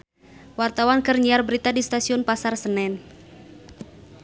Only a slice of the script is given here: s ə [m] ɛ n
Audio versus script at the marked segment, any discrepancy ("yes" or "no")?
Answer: yes